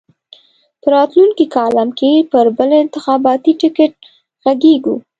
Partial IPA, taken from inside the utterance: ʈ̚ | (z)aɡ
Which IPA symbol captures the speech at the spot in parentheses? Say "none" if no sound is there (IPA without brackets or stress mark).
ɣ